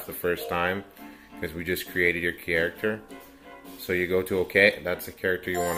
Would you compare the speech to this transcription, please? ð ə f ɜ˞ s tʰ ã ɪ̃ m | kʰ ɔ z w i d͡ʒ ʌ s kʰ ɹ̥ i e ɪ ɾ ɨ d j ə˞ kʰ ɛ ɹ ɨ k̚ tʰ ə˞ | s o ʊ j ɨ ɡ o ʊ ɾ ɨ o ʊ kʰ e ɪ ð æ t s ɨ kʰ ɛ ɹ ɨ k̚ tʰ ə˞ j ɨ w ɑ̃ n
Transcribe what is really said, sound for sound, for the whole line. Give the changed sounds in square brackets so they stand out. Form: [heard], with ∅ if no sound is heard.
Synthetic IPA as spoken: ð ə f ɜ˞ s tʰ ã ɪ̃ m | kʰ [ʌ] z w i d͡ʒ ʌ s kʰ ɹ̥ i e ɪ ɾ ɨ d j ə˞ kʰ ɛ ɹ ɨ k̚ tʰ ə˞ | s o ʊ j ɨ ɡ o ʊ ɾ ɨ o ʊ kʰ e ɪ ð æ t s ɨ kʰ ɛ ɹ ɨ k̚ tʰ ə˞ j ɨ w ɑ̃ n